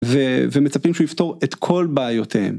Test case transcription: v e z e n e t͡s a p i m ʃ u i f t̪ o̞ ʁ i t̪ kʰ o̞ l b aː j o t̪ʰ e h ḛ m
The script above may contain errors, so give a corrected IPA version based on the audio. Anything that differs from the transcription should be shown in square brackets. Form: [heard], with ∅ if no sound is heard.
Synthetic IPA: v e [v] e [m] e t͡s a p i m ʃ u i f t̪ o̞ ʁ [e] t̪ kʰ o̞ l b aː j o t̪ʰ e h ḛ m